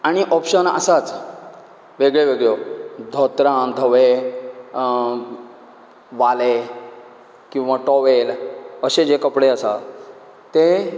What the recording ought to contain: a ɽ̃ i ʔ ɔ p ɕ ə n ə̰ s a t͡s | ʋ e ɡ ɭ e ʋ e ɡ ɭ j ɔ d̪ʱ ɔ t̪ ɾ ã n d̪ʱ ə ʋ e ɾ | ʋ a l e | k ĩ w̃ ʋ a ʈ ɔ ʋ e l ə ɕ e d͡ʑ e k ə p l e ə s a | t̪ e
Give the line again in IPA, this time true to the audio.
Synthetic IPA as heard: a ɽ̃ i ʔ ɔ p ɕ ə n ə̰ s a t͡s | ʋ e ɡ ɭ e ʋ e ɡ ɭ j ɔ d̪ʱ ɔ t̪ ɾ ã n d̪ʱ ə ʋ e | ʋ a l e | k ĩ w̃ ʋ a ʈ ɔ ʋ e l ə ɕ e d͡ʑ e k ə p ɽ e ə s a | t̪ e